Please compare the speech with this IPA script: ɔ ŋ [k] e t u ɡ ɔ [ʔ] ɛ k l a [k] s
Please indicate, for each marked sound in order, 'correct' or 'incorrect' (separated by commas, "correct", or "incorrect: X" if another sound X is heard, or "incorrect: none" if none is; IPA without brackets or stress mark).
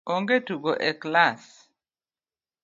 incorrect: ɡ, correct, incorrect: none